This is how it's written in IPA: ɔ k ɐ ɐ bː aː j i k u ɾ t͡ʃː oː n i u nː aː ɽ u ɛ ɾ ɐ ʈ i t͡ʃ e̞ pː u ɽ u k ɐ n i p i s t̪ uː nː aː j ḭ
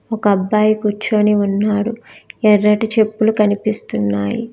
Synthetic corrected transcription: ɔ k ɐ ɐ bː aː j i k u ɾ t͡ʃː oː n i u nː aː ɽ u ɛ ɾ ɐ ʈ i t͡ʃ e̞ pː u l u k ɐ n i p i s t̪ u nː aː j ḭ